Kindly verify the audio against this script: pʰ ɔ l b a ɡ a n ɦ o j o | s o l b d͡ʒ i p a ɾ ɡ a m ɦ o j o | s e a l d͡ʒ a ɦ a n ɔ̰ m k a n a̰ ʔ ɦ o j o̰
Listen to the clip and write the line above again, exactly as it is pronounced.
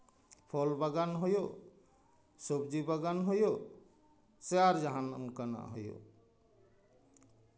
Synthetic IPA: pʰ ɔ l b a ɡ a n ɦ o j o | s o b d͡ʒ i b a ɡ a n ɦ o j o | s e a ɾ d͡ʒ a ɦ a n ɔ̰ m k a n a̰ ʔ ɦ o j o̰